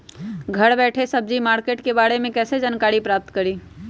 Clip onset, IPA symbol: ɡʱ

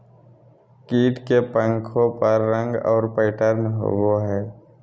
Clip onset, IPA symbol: k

